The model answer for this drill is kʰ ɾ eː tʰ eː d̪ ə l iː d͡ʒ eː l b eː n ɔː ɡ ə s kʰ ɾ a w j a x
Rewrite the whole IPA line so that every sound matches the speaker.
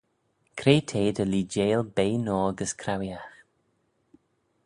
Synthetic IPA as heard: kʰ ɾ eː tʰ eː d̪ ə l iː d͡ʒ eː l b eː n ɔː ɡ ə s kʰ ɾ a w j a x